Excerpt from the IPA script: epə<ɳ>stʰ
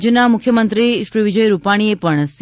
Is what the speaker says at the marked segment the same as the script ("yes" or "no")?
yes